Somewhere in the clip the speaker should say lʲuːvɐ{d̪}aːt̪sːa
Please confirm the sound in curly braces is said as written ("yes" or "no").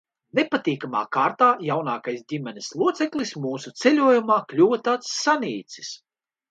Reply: no